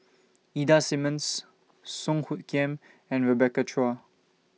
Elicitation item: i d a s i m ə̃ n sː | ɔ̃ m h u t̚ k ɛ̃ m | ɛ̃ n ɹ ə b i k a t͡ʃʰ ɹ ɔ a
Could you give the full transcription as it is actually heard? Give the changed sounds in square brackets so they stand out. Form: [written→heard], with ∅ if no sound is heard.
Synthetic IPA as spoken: i d a s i m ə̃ n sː | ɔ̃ [m→ŋ] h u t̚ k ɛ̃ m | ɛ̃ n ɹ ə b [i→ɛ] k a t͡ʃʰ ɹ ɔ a